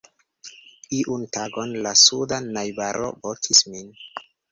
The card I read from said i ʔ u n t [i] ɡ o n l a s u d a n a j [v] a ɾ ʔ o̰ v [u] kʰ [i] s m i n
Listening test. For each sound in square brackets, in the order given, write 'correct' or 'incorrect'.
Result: incorrect: a, incorrect: b, incorrect: o, correct

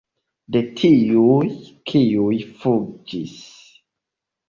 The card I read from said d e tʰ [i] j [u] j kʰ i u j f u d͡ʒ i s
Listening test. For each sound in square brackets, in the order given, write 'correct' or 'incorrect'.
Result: correct, correct

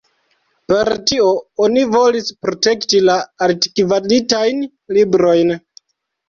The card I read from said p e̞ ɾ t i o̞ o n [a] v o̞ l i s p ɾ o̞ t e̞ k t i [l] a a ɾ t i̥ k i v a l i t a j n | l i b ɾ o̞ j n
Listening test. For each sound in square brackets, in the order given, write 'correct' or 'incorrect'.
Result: incorrect: i, correct

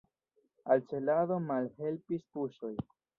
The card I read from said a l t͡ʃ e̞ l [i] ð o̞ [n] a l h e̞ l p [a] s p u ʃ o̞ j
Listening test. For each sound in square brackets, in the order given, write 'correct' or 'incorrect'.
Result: incorrect: a, incorrect: m, incorrect: i

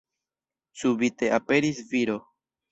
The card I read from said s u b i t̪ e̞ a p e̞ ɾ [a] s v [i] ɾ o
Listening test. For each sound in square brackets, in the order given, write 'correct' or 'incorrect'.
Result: incorrect: i, correct

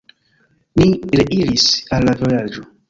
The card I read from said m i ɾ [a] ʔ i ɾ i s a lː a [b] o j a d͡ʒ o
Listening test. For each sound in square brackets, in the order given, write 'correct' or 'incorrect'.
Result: incorrect: e, incorrect: v

